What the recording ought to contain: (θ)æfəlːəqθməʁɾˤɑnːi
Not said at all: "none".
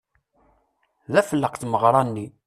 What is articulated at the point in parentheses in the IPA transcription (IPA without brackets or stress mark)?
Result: ð